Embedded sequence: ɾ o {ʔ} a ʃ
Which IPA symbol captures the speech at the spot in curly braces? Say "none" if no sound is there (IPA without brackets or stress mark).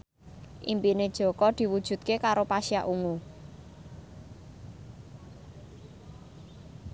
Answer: p